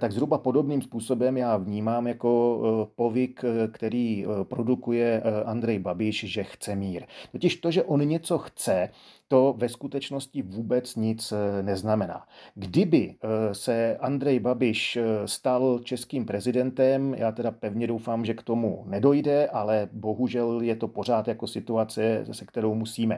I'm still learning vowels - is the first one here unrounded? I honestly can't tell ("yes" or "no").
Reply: yes